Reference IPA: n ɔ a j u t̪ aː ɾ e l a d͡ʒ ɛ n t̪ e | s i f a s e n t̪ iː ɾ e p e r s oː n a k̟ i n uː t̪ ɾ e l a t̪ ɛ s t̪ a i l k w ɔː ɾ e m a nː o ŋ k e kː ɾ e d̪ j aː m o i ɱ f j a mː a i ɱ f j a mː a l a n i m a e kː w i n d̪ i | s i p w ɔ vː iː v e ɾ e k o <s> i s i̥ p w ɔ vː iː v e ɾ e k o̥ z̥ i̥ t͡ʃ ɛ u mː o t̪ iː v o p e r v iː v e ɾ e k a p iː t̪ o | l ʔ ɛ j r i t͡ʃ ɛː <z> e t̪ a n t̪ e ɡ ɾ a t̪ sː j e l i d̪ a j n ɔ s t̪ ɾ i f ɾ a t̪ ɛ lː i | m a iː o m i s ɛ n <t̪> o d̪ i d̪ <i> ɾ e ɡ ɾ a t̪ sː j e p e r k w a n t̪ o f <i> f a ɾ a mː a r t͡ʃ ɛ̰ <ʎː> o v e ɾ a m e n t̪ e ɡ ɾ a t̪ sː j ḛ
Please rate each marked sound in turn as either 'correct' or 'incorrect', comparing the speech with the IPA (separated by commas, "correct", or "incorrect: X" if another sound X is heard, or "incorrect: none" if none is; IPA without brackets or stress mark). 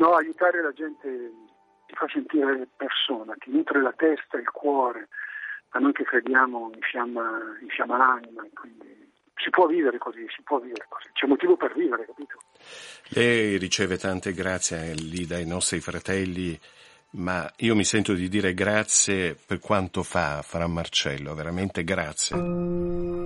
incorrect: z, incorrect: v, correct, incorrect: iː, incorrect: a, incorrect: lː